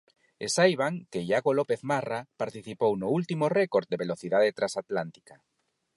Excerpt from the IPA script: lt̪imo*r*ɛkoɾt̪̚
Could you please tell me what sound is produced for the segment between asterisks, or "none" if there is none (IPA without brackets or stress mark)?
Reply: r